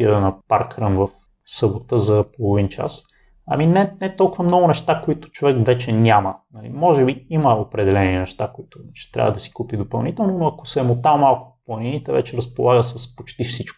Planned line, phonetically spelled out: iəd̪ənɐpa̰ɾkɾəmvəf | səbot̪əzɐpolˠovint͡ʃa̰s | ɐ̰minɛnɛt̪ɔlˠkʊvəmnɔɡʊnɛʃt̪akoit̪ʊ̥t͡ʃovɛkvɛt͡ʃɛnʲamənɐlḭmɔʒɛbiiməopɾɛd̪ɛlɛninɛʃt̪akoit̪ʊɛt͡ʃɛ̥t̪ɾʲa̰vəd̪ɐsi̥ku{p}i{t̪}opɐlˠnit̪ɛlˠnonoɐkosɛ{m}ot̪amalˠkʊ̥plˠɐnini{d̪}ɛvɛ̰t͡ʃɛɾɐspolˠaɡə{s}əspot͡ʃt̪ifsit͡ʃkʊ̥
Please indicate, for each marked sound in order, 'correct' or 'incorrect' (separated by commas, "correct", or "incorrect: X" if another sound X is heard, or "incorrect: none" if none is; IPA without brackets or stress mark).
correct, incorrect: d̪, correct, incorrect: t̪, correct